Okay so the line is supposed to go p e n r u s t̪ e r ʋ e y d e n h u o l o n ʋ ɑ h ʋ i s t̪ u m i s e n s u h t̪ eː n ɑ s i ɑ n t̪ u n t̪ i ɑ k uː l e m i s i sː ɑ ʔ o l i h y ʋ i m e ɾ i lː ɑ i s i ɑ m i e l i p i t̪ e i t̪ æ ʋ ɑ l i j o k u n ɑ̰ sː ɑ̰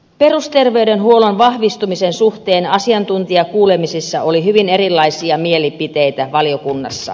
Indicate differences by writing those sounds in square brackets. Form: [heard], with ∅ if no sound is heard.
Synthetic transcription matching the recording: p e [∅] r u s t̪ e r ʋ e y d e n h u o l o n ʋ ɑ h ʋ i s t̪ u m i s e n s u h t̪ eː n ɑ s i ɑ n t̪ u n t̪ i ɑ k uː l e m i s i sː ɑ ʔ o l i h y ʋ i [n] e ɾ i lː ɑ i s i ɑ m i e l i p i t̪ e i t̪ æ ʋ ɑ l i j o k u [nː] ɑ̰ sː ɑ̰